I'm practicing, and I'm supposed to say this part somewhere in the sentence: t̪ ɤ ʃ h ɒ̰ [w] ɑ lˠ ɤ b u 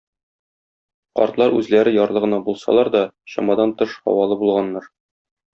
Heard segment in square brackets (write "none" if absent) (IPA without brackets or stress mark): w